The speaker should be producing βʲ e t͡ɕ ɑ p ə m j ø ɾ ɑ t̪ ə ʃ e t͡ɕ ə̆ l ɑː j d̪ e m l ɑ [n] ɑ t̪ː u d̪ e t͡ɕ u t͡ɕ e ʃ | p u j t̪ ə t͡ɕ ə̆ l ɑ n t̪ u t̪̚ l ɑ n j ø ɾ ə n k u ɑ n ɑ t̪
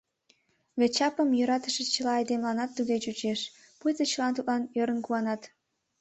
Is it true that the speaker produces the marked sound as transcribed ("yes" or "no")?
yes